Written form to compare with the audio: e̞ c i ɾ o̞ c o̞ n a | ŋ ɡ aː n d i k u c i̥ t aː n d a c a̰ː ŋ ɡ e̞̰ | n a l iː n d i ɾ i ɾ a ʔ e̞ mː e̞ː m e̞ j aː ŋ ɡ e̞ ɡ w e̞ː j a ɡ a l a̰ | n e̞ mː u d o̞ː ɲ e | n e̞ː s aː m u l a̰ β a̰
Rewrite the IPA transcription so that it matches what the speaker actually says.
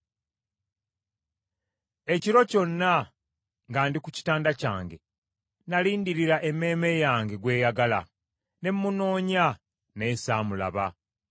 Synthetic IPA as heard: e̞ c i ɾ o̞ c o̞ nː a | ŋ ɡ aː n d i k u c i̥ t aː n d a c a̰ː ŋ ɡ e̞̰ | n a l iː n d i ɾ i ɾ a ʔ e̞ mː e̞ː m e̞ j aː ŋ ɡ e̞ ɡ w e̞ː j a ɡ a l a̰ | n e̞ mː u n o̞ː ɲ a | n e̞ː s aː m u l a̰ β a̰